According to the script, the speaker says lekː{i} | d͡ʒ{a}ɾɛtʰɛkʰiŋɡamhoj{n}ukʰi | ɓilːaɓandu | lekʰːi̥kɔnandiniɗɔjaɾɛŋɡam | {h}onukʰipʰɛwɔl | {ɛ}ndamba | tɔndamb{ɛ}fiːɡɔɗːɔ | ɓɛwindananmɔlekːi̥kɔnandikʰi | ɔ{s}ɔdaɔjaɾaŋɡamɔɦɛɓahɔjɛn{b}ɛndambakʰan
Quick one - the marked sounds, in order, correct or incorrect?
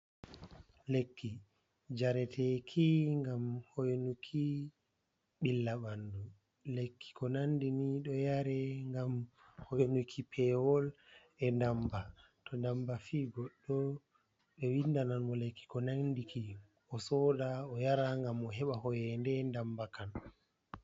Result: correct, correct, correct, correct, correct, incorrect, correct, incorrect

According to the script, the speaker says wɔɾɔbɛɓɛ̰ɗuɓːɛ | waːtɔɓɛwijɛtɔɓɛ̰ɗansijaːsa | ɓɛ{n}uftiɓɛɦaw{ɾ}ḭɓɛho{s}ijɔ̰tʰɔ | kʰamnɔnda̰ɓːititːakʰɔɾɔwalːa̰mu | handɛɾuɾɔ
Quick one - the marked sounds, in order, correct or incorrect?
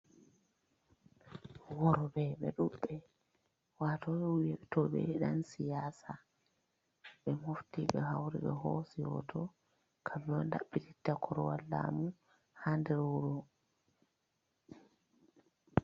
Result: incorrect, correct, correct

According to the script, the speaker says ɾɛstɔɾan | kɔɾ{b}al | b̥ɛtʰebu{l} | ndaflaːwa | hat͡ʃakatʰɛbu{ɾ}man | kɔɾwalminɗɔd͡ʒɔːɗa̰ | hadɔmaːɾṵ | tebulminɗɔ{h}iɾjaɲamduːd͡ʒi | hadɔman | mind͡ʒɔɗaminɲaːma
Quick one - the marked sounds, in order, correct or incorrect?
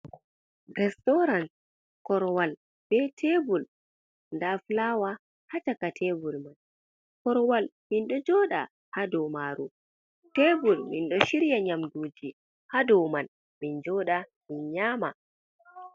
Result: incorrect, correct, incorrect, incorrect

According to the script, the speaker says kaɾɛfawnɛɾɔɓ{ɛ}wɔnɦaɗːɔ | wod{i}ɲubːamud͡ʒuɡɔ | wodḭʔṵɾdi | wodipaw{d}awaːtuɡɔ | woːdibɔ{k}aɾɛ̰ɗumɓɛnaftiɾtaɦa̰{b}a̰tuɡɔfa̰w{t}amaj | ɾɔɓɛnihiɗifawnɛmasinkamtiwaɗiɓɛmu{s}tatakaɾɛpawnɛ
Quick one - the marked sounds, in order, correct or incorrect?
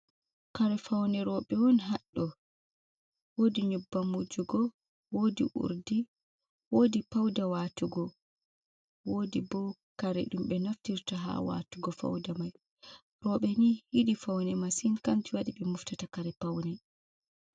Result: correct, correct, correct, correct, incorrect, incorrect, incorrect

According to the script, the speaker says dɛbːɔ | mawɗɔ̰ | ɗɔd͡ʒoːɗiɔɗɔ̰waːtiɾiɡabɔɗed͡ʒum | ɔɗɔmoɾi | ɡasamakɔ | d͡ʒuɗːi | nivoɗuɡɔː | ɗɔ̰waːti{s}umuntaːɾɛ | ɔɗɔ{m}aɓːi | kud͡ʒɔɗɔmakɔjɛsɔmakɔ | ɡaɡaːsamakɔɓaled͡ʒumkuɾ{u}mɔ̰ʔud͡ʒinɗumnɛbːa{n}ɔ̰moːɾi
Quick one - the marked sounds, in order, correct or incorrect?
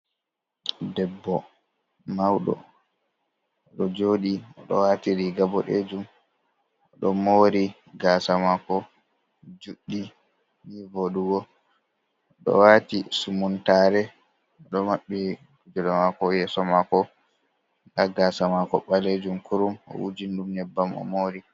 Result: correct, correct, correct, incorrect

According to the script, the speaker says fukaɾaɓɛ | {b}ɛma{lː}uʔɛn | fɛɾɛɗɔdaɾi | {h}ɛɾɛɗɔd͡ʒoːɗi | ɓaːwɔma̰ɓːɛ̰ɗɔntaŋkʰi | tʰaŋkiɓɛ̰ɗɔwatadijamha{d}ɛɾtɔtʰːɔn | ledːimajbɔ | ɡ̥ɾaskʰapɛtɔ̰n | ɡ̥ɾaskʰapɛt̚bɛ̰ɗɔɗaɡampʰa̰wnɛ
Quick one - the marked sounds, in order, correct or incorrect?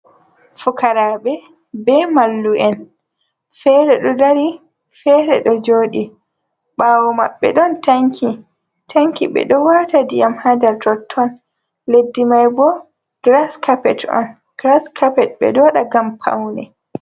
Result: correct, correct, incorrect, correct

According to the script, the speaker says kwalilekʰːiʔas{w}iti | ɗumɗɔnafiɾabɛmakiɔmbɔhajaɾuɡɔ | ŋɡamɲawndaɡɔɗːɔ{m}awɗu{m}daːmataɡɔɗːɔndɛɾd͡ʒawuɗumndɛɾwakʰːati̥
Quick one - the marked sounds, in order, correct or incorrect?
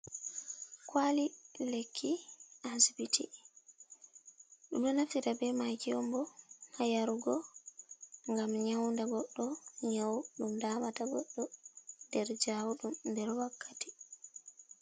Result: incorrect, incorrect, correct

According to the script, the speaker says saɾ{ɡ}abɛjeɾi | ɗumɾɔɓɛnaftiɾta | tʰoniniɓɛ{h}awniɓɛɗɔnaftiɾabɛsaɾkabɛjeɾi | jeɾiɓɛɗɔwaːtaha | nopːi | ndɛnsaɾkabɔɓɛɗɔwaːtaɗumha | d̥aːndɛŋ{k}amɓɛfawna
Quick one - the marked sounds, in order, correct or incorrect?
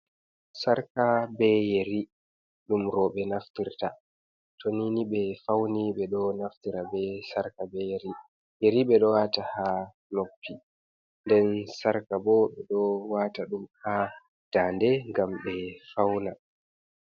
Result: incorrect, incorrect, incorrect

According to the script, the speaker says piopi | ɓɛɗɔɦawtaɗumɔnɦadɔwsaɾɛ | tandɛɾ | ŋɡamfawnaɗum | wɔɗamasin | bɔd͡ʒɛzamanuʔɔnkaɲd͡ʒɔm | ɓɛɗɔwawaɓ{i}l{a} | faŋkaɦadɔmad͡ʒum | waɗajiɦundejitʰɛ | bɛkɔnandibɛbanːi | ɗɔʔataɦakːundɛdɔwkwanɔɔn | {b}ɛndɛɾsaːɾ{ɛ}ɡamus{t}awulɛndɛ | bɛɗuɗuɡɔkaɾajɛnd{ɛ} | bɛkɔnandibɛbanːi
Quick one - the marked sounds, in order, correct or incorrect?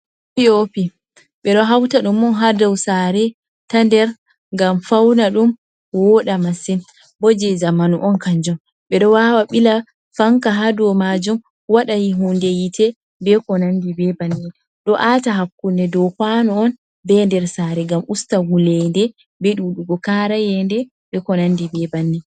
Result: correct, correct, correct, correct, correct, correct

